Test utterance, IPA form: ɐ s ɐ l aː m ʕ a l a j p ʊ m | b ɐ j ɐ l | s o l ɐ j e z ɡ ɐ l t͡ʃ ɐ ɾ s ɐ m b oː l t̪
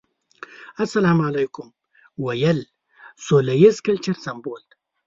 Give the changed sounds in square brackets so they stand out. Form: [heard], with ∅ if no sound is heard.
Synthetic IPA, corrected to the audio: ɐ s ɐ l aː m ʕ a l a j [k] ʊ m | [w] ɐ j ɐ l | s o l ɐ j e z [k] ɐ l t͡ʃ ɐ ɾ s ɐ m b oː l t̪